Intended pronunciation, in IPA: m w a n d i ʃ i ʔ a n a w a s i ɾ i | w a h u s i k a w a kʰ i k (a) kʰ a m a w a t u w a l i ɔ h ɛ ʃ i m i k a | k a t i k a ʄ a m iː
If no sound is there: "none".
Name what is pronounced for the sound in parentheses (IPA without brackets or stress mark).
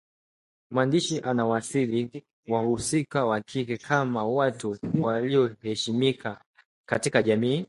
ɛ